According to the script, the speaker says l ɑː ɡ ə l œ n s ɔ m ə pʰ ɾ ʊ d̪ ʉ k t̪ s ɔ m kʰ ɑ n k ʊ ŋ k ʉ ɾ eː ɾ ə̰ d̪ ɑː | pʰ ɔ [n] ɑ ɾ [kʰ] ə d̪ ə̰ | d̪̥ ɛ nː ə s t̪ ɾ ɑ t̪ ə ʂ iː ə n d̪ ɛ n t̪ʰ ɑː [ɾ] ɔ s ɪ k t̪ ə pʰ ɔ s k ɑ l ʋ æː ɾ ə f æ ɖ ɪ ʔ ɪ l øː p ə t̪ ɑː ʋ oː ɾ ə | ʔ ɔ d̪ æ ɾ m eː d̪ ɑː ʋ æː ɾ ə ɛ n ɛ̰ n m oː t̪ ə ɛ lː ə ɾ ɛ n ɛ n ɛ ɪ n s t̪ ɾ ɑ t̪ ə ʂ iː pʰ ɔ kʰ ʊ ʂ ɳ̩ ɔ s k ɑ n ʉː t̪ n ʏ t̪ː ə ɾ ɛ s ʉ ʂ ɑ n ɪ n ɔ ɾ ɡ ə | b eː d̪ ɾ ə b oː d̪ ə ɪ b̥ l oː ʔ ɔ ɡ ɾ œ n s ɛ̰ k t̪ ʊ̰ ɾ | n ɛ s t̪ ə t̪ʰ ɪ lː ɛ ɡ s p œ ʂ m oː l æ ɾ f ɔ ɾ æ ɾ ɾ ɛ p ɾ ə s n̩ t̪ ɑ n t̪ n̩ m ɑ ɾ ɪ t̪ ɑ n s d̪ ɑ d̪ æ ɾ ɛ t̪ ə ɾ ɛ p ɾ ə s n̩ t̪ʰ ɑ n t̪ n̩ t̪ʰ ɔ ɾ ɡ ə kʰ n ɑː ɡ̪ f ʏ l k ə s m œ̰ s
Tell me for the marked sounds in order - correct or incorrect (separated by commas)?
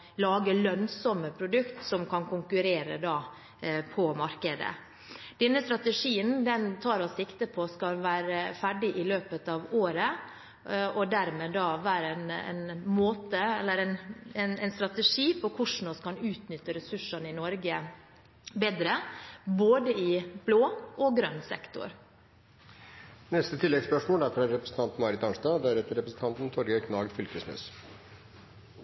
incorrect, incorrect, correct